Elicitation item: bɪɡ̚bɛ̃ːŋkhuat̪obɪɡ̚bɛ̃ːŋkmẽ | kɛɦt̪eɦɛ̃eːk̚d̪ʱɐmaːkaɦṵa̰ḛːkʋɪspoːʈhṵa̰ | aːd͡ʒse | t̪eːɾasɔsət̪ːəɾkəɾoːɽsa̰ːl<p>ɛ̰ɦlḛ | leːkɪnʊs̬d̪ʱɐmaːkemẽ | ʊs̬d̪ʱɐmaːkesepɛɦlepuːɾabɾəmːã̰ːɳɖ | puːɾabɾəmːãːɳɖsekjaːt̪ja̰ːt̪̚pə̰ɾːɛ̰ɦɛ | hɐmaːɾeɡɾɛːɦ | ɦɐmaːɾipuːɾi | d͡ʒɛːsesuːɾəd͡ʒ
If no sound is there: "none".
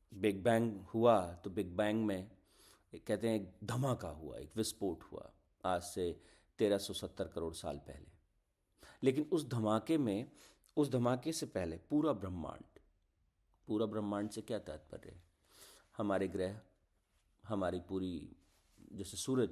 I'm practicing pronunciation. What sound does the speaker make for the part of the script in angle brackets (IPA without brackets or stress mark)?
p